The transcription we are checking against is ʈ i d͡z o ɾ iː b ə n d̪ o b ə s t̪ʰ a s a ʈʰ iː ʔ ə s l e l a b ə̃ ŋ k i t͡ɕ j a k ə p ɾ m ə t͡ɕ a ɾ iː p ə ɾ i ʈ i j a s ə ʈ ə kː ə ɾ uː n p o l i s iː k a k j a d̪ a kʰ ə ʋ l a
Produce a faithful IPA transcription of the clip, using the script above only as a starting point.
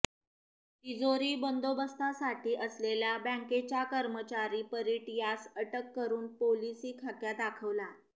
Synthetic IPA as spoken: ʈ i d͡z o ɾ iː b ə n d̪ o b ə s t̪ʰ a s a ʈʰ iː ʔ ə s l e l a b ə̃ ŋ k e t͡ɕ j a k ə ɾ m ə t͡ɕ a ɾ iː p ə ɾ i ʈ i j a s ə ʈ ə kː ə ɾ uː n p o l i s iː kʰ a k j a d̪ a kʰ ə ʋ l a